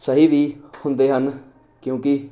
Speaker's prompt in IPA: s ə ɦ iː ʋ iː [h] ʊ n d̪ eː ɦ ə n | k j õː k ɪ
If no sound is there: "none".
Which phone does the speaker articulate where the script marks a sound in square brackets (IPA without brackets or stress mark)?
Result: h